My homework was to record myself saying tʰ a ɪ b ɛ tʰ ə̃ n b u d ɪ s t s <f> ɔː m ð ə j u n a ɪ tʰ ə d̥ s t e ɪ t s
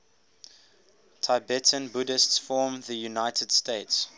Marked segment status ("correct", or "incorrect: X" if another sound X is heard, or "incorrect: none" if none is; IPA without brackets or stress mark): correct